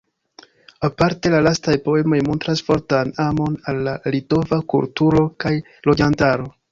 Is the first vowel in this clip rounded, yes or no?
no